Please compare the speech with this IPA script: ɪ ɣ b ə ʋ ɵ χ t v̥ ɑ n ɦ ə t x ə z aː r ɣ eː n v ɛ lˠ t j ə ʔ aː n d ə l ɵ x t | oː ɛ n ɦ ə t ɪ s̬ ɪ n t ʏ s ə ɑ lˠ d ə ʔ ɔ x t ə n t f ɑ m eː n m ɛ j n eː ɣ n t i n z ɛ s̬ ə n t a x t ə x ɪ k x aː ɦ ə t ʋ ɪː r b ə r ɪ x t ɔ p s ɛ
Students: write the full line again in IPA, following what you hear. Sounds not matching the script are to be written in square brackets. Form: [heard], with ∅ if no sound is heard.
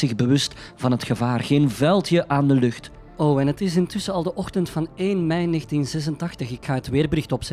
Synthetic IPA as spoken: ɪ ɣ b ə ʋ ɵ [s] t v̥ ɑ n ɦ ə t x ə [v] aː r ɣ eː n v ɛ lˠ t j ə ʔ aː n d ə l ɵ x t | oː ɛ n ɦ ə t ɪ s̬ ɪ n t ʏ s ə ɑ lˠ d ə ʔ ɔ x t ə n t f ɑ [n] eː n m ɛ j n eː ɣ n t i n z ɛ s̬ ə n t [ɑ] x t ə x ɪ k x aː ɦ ə t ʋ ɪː r b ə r ɪ x t ɔ p s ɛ